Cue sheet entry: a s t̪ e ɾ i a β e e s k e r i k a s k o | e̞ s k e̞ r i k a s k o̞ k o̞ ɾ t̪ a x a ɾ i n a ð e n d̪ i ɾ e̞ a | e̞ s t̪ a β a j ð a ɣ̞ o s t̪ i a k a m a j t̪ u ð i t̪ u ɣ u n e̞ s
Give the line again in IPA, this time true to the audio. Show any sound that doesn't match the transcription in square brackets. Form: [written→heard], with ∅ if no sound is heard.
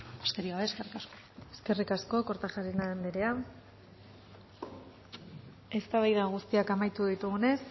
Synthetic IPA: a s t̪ e ɾ i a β e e s k e r i k a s k o | e̞ s k e̞ r i k a s k o̞ k o̞ ɾ t̪ a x a ɾ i n a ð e n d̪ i ɾ e̞ a | e̞ s t̪ a β a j ð a ɣ̞ [o→u] s t̪ i a k a m a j t̪ u ð i t̪ u ɣ u n e̞ s